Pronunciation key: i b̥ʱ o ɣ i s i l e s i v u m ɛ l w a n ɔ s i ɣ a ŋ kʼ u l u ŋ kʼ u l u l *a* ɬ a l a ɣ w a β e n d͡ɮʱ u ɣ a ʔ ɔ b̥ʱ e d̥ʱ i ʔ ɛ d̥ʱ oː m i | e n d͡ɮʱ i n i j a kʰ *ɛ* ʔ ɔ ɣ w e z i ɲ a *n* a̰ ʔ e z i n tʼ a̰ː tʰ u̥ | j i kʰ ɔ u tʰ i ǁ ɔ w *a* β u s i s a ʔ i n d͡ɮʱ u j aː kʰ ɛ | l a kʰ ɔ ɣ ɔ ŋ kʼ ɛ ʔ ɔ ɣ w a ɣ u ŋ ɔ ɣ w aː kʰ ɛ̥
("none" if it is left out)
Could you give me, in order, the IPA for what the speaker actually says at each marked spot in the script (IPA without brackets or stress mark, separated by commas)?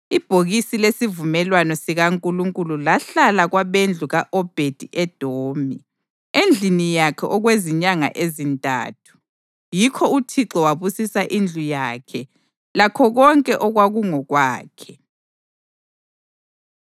a, ɛ, ŋ, a